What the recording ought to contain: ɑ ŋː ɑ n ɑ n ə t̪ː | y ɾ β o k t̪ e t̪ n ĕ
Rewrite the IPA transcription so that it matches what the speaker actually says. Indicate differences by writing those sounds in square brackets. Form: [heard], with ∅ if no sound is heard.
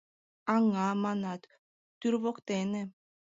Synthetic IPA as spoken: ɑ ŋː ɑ [m] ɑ n [ɑ] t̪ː | y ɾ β o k t̪ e [∅] n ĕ